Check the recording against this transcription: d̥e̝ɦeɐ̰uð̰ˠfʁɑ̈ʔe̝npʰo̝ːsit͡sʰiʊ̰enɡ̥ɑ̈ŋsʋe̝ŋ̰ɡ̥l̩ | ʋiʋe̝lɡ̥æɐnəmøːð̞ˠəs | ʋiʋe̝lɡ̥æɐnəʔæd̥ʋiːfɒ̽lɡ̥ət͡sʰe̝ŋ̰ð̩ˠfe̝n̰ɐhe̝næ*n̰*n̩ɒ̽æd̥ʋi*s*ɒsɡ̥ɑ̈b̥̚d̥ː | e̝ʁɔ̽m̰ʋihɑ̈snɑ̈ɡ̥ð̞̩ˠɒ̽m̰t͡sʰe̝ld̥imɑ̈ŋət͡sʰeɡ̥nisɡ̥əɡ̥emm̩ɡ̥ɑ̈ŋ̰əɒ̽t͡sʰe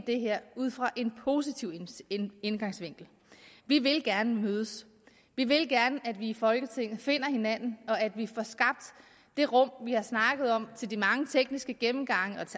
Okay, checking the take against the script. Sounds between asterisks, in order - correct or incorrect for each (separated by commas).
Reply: correct, incorrect